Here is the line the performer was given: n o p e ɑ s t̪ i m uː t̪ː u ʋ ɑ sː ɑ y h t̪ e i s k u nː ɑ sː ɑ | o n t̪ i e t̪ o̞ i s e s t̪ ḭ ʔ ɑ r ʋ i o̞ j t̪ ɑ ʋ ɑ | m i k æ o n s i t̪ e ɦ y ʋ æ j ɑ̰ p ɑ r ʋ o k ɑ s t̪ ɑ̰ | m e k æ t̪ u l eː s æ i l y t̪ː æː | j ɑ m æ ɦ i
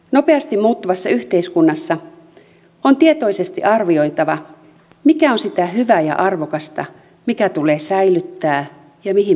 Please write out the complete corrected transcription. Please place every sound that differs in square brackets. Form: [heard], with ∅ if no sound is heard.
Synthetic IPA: n o p e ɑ s t̪ i m uː t̪ː u ʋ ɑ sː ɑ y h t̪ e i s k u nː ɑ sː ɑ | o n t̪ i e t̪ o̞ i s e s t̪ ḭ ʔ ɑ r ʋ i o̞ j t̪ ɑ ʋ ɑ | m i k æ o n s i t̪ [æ] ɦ y ʋ æ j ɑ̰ [ʔ] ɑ r ʋ o k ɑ s t̪ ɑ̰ | m [i] k æ t̪ u l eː s æ i l y t̪ː æː | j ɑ m [i] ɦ i

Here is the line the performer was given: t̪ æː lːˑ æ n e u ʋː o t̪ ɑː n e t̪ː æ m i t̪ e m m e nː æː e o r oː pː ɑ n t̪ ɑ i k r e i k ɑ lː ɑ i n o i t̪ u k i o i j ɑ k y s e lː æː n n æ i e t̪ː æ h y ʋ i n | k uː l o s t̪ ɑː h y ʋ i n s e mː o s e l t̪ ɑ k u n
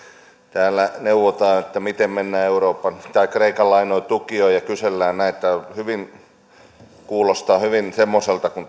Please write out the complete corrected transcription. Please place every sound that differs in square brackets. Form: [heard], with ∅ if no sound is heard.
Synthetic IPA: t̪ æː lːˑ æ n e u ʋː o t̪ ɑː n e t̪ː æ m i t̪ e m m e nː æː e [u] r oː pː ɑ n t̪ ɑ i k r e i k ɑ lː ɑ i n o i t̪ u k i o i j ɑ k y s e lː æː n n æ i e t̪ː æ h y ʋ i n | k uː l o s t̪ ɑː h y ʋ i n s e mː o s e l t̪ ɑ k u n

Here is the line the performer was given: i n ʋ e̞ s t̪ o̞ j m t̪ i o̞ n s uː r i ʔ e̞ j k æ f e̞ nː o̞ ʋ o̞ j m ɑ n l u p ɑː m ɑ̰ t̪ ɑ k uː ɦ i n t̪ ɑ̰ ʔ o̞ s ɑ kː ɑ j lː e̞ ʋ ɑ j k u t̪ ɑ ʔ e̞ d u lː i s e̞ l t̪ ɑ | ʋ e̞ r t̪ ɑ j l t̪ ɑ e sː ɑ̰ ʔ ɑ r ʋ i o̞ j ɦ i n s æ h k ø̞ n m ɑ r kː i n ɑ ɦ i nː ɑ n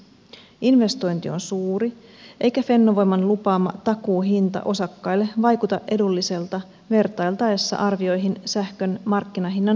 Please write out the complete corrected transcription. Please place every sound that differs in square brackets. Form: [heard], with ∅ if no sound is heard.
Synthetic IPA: i n ʋ e̞ s t̪ o̞ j [n] t̪ i o̞ n s uː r i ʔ e̞ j k æ f e̞ nː o̞ ʋ o̞ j m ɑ n l u p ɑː m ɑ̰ t̪ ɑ k uː ɦ i n t̪ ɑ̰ ʔ o̞ s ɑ kː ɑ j lː e̞ ʋ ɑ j k u t̪ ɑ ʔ e̞ d u lː i s e̞ l t̪ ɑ | ʋ e̞ r t̪ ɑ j l t̪ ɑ e sː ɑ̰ ʔ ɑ r ʋ i o̞ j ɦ i n s æ h k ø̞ n m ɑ r kː i n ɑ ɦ i nː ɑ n

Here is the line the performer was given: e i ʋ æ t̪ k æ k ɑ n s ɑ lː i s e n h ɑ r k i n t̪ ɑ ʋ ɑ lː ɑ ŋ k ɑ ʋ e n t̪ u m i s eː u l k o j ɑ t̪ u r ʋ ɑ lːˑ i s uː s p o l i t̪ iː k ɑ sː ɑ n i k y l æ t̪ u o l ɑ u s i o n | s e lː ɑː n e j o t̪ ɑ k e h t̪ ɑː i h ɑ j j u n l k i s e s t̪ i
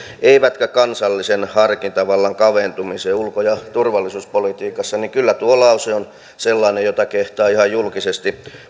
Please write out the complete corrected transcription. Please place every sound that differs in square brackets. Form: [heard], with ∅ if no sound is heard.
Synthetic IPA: e i ʋ æ t̪ k æ k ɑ n s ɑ lː i s e n h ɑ r k i n t̪ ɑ ʋ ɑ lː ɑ ŋ k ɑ ʋ e n t̪ u m i s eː u l k o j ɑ t̪ u r ʋ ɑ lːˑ i s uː s p o l i t̪ iː k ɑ sː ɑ n i k y [lː] æ t̪ u o l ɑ u s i o n | s e lː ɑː n e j o t̪ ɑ k e h t̪ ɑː i h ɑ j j u [∅] l k i s e s t̪ i

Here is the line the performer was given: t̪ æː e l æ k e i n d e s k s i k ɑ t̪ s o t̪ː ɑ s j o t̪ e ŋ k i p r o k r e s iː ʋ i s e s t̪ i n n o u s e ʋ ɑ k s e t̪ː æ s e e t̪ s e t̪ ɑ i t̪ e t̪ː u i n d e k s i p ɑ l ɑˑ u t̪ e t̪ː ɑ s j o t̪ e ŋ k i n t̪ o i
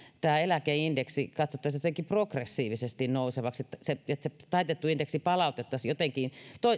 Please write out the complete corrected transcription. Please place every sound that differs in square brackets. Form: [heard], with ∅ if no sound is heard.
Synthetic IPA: t̪ æː e l æ k e i n d e [∅] k s i k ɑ t̪ s o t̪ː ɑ s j o t̪ e ŋ k i p r o k r e [sː] iː ʋ i s e s t̪ i n n o u s e ʋ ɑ k s e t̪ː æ s e e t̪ s e t̪ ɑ i t̪ e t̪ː u i n d e k s i p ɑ l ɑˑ u t̪ e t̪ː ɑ s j o t̪ e ŋ k i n t̪ o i

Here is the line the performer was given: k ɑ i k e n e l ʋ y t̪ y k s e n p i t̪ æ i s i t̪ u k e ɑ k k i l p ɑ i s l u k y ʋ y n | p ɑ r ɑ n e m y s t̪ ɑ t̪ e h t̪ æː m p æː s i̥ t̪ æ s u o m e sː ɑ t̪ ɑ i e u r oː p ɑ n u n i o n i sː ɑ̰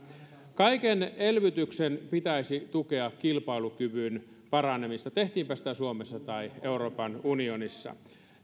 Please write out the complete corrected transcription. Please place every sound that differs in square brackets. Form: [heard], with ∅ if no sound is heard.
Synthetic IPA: k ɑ i k e n e l ʋ y t̪ y k s e n p i t̪ æ i s i t̪ u k e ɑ k k i l p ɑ i [∅] l u k y ʋ y n | p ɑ r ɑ n e m [i] s t̪ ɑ t̪ e h t̪ [iː] m p [æ] s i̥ t̪ æ s u o m e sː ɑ t̪ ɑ i e u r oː p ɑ n u n i o n i sː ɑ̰

